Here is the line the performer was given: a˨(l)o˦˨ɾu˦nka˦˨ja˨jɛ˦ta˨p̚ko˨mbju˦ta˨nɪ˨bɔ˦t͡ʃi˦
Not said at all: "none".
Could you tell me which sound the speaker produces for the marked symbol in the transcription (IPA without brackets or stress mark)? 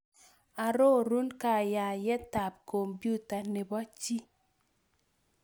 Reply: ɾ